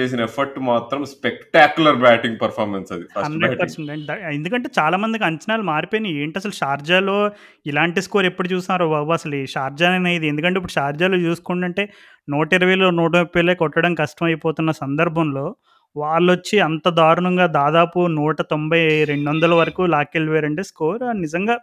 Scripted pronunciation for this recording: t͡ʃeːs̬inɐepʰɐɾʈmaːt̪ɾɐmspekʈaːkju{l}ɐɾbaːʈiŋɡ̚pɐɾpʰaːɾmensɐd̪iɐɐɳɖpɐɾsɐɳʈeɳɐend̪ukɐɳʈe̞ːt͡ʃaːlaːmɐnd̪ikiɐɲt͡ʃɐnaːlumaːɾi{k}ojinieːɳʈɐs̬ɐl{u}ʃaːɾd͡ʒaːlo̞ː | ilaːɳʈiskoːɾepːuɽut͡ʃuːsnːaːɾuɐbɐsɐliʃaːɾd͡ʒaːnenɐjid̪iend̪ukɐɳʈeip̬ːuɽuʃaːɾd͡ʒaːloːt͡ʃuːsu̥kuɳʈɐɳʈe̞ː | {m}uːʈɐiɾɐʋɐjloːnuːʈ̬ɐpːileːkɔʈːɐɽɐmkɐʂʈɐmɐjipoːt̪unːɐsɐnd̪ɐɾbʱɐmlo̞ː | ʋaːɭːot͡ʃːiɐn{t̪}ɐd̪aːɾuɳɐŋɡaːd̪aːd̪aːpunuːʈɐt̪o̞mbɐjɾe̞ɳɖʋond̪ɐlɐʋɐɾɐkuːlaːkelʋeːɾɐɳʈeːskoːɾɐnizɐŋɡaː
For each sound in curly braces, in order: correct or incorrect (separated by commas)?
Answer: correct, incorrect, correct, incorrect, correct